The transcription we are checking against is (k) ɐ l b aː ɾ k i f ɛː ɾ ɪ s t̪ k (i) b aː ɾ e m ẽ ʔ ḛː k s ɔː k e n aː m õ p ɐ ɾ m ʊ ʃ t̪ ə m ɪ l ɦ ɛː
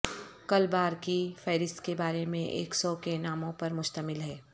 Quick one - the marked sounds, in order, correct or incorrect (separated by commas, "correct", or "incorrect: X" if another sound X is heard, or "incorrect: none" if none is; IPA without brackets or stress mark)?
correct, incorrect: e